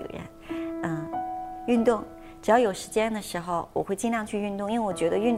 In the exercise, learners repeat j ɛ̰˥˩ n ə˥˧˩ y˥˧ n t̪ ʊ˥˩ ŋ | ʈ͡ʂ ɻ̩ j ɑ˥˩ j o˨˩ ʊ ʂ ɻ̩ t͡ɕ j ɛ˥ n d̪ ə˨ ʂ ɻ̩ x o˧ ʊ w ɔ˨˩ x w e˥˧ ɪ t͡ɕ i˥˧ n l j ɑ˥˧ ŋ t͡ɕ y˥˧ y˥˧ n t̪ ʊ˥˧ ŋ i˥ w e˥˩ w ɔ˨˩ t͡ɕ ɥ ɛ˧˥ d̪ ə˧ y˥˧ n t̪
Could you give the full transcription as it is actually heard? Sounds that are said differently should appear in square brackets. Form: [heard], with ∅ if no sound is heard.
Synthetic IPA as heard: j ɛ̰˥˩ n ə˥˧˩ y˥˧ n t̪ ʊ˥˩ ŋ | ʈ͡ʂ ɻ̩ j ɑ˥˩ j o˨˩ ʊ ʂ ɻ̩ t͡ɕ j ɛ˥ n d̪ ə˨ ʂ ɻ̩ x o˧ ʊ w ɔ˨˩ x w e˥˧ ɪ t͡ɕ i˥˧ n l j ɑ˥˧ ŋ [t͡ɕʰ] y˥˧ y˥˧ n t̪ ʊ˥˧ ŋ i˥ w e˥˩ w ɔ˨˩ t͡ɕ ɥ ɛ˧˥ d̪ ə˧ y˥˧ n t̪